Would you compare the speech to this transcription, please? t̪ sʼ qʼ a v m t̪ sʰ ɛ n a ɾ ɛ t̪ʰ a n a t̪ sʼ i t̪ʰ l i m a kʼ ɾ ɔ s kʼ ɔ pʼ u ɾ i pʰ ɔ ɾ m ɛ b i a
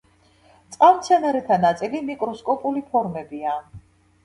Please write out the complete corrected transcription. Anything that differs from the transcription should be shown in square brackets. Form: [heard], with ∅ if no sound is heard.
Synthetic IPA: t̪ sʼ qʼ a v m t̪ sʰ ɛ n a ɾ ɛ t̪ʰ a n a t̪ sʼ i [∅] l i m [i] kʼ ɾ ɔ s kʼ ɔ pʼ u [l] i pʰ ɔ ɾ m ɛ b i a